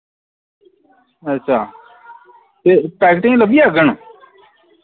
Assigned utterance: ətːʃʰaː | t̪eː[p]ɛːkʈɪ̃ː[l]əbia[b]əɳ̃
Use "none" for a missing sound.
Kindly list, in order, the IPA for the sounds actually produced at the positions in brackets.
p, l, ɡ

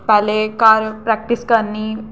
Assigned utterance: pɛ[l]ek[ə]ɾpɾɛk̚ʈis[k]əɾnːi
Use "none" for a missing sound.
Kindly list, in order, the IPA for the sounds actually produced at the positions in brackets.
l, a, k

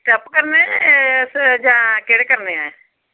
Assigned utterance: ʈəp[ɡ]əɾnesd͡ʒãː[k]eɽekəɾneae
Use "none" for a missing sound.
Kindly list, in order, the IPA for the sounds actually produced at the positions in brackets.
k, k

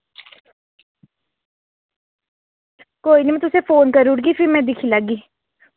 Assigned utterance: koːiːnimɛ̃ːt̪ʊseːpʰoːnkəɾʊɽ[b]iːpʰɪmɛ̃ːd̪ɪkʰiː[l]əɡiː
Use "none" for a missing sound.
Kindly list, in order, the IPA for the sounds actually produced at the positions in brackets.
ɡ, l

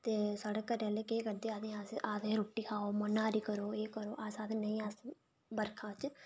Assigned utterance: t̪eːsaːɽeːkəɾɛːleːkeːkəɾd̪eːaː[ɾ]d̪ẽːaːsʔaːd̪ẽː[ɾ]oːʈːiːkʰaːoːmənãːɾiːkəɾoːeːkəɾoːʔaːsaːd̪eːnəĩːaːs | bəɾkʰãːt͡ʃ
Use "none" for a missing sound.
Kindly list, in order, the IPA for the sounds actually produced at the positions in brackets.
none, ɾ

